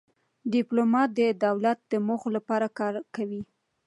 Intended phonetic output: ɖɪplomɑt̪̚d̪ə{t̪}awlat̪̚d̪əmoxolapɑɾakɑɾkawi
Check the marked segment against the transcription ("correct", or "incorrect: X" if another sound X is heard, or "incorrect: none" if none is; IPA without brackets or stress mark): incorrect: d̪